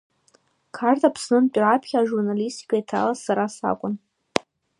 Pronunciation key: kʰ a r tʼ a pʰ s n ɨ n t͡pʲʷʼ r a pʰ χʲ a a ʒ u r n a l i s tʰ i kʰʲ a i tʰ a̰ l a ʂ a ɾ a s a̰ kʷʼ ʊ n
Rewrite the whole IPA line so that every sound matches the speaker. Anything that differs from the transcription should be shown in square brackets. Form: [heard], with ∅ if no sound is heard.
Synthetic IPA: kʰ a r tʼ a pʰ s n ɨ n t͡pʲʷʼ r a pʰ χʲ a a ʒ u r n a l i s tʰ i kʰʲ a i tʰ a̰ l a [s] a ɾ a s a̰ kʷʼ ʊ n